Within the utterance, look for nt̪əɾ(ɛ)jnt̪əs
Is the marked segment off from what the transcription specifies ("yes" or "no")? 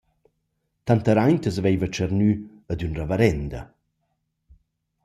yes